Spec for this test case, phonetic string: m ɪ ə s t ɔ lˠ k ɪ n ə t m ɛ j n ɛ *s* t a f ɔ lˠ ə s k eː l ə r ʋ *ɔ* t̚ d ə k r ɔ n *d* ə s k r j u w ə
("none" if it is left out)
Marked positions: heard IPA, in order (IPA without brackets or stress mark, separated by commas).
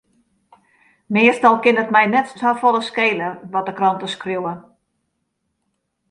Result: t, ɔ, t